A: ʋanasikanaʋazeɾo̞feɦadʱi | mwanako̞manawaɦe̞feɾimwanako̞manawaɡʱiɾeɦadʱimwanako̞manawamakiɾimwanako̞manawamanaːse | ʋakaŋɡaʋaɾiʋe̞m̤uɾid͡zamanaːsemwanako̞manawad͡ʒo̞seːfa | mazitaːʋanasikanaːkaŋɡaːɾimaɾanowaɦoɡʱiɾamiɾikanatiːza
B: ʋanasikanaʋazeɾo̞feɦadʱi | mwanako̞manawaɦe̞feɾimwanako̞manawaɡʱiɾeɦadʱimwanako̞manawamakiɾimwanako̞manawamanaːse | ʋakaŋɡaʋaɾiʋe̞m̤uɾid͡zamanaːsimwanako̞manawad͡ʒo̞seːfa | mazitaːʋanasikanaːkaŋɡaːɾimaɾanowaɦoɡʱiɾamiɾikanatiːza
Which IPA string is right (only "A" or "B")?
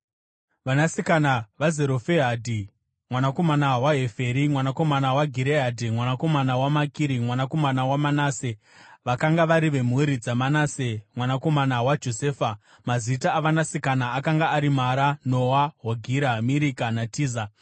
A